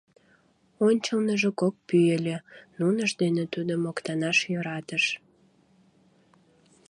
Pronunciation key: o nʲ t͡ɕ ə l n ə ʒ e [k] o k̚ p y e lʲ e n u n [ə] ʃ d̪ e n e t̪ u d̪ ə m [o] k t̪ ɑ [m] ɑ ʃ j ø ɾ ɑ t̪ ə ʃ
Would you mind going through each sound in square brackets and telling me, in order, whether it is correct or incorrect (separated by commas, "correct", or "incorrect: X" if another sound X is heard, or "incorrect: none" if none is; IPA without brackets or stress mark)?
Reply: correct, correct, correct, incorrect: n